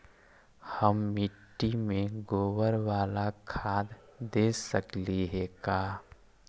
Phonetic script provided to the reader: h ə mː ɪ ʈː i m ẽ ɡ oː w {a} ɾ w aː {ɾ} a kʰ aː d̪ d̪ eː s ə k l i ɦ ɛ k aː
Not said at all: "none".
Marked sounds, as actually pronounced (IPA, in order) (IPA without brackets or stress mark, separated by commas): ə, l